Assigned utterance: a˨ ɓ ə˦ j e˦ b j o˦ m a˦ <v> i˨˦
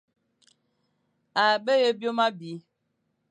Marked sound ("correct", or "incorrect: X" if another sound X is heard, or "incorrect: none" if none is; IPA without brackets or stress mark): incorrect: b